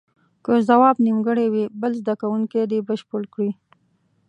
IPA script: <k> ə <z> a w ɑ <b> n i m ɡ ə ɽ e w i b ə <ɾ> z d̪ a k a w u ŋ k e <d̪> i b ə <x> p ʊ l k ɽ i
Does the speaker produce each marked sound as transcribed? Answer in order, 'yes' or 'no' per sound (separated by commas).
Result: yes, yes, yes, no, yes, no